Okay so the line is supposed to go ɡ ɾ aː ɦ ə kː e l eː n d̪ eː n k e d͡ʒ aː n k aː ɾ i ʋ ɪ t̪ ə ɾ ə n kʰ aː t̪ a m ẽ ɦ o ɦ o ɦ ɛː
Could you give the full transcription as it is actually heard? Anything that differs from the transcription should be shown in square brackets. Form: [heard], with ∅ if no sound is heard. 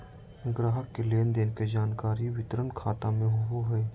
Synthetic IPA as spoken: ɡ ɾ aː ɦ ə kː e l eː n d̪ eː n k e d͡ʒ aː n k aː ɾ i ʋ ɪ t̪ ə ɾ ə n kʰ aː t̪ a m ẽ ɦ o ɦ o ɦ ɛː